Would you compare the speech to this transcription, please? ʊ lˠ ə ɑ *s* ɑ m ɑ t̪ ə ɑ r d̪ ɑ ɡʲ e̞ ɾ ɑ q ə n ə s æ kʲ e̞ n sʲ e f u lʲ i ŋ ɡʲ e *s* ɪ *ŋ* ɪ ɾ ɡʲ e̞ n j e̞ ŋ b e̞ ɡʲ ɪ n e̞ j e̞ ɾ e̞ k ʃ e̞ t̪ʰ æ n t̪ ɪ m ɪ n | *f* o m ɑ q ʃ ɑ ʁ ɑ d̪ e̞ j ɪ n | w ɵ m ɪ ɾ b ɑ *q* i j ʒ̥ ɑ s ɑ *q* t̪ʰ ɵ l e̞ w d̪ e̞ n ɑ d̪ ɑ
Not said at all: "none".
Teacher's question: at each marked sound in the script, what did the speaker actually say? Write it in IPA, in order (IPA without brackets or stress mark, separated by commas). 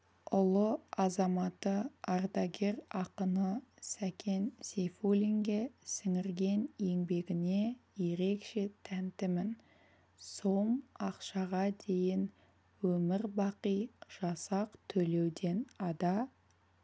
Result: z, s, ŋ, s, q, q